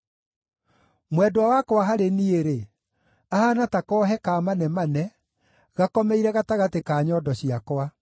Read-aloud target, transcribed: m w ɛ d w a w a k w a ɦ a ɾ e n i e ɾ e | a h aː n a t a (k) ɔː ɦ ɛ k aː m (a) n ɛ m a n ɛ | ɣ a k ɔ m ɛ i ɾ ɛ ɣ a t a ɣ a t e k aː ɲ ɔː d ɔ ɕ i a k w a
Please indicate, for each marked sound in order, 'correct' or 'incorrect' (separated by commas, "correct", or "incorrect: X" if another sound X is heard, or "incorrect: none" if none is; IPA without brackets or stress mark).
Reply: correct, correct